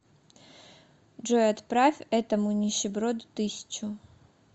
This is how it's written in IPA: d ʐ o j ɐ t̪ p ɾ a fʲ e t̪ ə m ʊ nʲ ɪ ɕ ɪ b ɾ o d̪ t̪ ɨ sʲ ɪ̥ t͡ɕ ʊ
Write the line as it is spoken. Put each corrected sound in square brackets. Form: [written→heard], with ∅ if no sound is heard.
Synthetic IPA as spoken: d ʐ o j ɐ t̪ p ɾ a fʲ [e→ɛ] t̪ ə m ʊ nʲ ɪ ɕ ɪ b ɾ o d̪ t̪ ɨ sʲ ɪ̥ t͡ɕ ʊ